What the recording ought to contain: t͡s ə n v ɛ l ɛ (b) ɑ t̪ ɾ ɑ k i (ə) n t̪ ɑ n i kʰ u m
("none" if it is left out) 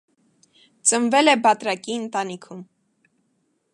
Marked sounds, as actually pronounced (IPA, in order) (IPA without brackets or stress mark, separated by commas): b, ə